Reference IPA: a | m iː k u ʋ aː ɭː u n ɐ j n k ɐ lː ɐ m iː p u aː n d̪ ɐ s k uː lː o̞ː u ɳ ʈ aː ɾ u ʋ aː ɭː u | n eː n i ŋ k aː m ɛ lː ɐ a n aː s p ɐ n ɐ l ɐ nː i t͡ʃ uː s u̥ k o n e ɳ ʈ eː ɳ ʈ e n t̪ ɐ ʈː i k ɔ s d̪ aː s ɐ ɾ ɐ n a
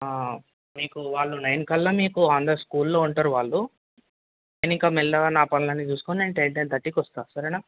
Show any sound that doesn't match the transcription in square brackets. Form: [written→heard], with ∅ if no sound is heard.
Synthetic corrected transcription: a | m iː k u ʋ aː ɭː u n ɐ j n k ɐ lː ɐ m iː [p→k] u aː n d̪ ɐ s k uː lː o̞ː u ɳ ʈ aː ɾ u ʋ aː ɭː u | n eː n i ŋ k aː m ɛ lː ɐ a n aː [s→∅] p ɐ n ɐ l ɐ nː i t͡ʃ uː s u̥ k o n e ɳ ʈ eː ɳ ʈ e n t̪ ɐ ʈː i k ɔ s [d̪→t̪] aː s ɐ ɾ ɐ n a